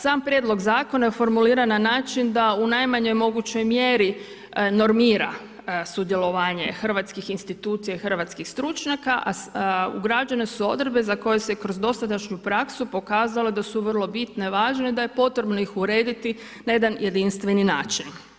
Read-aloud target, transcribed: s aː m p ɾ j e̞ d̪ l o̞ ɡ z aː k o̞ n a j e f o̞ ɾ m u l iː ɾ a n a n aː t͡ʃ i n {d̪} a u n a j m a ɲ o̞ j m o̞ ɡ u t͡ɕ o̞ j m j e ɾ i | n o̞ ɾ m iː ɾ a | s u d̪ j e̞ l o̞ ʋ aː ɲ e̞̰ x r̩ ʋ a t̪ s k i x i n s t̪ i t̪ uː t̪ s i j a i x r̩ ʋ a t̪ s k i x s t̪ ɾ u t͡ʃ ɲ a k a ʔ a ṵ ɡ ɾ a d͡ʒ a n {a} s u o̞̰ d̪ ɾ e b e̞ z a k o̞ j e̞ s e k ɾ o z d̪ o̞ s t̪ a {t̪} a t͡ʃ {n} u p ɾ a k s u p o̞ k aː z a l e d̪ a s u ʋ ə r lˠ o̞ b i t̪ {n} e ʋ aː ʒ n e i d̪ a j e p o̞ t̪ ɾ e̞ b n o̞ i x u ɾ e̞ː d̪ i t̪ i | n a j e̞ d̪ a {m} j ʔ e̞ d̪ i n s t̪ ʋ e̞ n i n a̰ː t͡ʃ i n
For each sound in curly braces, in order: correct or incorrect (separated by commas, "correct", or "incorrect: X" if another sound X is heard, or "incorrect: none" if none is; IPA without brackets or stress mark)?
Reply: correct, incorrect: e, correct, incorrect: ɲ, correct, incorrect: n